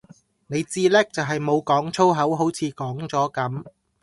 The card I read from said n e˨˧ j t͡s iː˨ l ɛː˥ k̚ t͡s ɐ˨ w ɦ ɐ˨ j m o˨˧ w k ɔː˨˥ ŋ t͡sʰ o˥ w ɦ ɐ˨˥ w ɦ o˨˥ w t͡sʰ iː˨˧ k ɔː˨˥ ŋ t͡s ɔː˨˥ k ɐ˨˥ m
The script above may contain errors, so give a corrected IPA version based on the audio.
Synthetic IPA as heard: n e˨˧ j t͡s iː˥ l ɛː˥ k̚ t͡s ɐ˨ w ɦ ɐ˨ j m o˨˧ w k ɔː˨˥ ŋ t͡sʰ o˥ w ɦ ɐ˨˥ w ɦ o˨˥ w t͡sʰ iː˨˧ k ɔː˨˥ ŋ t͡s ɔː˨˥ k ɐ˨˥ m

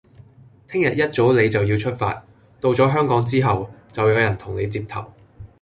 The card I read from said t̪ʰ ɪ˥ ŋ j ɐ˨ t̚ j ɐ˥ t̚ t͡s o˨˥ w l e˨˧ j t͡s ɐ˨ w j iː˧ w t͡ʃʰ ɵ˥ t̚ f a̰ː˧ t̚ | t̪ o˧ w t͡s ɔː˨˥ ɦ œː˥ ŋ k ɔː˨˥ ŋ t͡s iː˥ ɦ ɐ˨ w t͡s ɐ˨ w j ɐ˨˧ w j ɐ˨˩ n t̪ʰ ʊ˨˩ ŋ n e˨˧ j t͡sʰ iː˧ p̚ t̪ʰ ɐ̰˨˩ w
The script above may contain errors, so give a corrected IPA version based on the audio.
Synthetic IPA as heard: t̪ʰ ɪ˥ ŋ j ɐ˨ t̚ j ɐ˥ t̚ t͡s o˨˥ w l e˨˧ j t͡s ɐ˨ w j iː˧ w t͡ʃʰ ɵ˥ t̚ f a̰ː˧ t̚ | t̪ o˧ w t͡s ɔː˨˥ ɦ œː˥ ŋ k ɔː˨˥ ŋ t͡s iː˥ ɦ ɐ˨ w t͡s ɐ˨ w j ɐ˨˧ w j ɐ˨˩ n t̪ʰ ʊ˨˩ ŋ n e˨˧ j t͡s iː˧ p̚ t̪ʰ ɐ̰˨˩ w

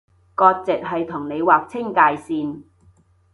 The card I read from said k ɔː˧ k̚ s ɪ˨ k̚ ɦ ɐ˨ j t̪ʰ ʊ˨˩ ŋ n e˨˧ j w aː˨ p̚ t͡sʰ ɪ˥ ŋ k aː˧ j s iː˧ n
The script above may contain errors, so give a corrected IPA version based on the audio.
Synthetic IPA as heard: k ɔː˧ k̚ t͡s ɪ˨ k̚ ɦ ɐ˨ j t̪ʰ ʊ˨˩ ŋ n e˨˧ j w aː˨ k̚ t͡sʰ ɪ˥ ŋ k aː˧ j s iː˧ n

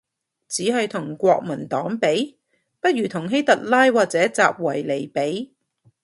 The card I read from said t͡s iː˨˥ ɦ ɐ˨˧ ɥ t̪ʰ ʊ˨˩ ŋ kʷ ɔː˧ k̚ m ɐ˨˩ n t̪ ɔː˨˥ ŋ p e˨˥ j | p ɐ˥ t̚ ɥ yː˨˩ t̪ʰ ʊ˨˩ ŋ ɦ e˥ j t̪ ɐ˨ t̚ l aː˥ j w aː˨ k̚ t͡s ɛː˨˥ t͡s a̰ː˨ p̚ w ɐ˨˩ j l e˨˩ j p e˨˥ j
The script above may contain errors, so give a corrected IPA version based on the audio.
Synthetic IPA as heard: t͡s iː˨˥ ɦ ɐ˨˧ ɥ t̪ʰ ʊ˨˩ ŋ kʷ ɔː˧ k̚ m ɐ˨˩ n t̪ ɔː˨˥ ŋ p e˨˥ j | p ɐ˥ t̚ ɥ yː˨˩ t̪ʰ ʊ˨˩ ŋ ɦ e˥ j t̪ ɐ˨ t̚ l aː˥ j w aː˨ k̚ t͡s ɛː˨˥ t͡s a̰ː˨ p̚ w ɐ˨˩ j l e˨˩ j p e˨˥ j

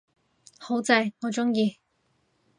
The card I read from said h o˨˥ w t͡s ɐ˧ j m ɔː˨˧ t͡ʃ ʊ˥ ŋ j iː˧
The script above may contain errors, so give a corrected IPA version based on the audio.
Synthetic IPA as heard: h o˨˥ w t͡s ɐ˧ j ŋ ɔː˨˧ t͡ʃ ʊ˥ ŋ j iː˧

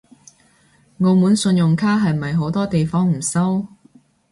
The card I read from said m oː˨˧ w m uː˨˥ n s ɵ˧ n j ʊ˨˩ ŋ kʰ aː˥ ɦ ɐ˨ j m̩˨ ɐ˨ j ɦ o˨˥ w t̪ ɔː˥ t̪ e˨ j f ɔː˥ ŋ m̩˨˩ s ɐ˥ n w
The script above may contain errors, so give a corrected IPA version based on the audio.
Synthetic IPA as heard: ŋ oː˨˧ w m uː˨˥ n s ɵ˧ n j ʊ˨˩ ŋ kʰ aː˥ ɦ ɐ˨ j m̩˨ ɐ˨ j ɦ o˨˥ w t̪ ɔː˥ t̪ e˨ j f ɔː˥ ŋ m̩˨˩ s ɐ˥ w

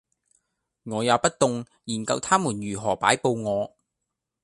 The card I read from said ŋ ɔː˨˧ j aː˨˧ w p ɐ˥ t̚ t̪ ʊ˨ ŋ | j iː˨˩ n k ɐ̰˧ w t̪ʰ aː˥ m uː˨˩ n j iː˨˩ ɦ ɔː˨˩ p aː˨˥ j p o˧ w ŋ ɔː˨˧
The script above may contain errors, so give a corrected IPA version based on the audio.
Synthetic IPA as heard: ŋ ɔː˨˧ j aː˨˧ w p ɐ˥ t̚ t̪ ʊ˨ ŋ | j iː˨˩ n k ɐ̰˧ w t̪ʰ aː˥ m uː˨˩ n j yː˨˩ ɦ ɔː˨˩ p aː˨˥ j p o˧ w ŋ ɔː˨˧

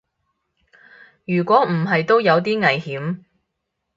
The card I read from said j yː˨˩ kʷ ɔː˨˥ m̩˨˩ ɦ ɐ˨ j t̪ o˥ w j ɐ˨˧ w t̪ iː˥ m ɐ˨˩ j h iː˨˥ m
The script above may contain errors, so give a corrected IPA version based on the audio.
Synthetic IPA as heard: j yː˨˩ kʷ ɔː˨˥ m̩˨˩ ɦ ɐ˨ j t̪ o˥ w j ɐ˨˧ w t̪ iː˥ ŋ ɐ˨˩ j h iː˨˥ m

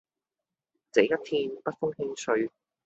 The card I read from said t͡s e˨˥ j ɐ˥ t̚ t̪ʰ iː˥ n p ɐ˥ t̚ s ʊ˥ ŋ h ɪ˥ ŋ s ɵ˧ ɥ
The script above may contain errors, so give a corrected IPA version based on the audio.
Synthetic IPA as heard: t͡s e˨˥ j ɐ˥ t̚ t̪ʰ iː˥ n p ɐ˥ t̚ f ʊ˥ ŋ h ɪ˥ ŋ s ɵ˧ ɥ

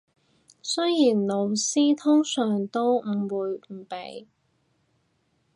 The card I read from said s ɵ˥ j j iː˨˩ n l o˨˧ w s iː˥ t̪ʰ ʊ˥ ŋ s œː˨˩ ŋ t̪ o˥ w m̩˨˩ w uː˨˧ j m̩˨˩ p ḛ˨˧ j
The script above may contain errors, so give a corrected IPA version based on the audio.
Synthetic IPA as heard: s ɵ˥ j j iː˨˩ n l o˨˧ w s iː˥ t̪ʰ ʊ˥ ŋ s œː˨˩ ŋ t̪ o˥ w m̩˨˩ w uː˨˧ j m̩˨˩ p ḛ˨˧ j

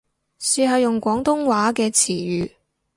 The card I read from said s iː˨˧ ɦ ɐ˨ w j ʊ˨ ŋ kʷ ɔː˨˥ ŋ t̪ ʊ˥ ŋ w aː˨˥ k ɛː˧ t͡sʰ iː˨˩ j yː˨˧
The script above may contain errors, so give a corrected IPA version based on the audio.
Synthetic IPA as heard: s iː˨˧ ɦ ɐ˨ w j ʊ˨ ŋ kʷ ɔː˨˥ ŋ t̪ ʊ˥ ŋ w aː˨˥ k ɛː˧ t͡sʰ iː˨˩ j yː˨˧

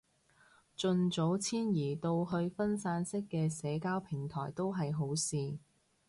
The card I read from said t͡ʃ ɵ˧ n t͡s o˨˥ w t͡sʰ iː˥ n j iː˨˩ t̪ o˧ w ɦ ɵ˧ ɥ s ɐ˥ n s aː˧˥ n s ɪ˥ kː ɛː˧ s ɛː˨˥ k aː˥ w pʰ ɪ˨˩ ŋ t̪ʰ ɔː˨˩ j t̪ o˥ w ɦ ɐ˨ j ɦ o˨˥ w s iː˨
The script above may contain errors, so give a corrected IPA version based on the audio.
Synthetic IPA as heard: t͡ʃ ɵ˧ n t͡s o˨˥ w t͡sʰ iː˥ n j iː˨˩ t̪ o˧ w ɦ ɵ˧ ɥ f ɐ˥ n s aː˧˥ n s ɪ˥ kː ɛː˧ s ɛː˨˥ k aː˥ w pʰ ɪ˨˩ ŋ t̪ʰ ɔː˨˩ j t̪ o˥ w ɦ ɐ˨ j ɦ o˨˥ w s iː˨

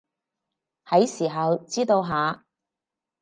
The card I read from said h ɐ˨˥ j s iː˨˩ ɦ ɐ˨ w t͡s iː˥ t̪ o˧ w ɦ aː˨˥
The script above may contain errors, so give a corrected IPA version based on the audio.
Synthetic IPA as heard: h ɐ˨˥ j s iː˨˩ ɦ ɐ˨ w t͡s iː˥ t̪ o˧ w ɦ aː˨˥

